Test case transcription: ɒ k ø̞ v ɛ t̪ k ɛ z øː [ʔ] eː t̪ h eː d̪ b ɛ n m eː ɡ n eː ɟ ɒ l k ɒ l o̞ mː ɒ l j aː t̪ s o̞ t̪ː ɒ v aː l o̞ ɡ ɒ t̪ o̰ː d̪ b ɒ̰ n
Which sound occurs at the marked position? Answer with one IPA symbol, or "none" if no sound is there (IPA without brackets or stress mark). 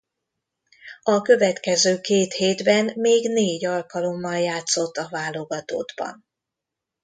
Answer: k